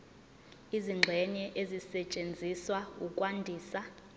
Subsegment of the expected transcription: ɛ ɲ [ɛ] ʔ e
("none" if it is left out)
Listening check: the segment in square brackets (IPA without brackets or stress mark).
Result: ɛ